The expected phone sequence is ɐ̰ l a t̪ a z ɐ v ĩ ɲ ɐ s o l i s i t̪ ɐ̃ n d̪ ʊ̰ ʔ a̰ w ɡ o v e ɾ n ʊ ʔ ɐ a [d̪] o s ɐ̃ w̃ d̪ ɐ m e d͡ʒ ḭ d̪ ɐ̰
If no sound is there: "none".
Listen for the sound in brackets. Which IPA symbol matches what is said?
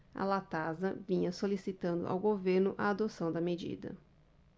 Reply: d̪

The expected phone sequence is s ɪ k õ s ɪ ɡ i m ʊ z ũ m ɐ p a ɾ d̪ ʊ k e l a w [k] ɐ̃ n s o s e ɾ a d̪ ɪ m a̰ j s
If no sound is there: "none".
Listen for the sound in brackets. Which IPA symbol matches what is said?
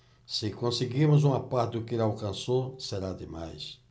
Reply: k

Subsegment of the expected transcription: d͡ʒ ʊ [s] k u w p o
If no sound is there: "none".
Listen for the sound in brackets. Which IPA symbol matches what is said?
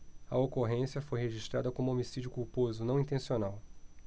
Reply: none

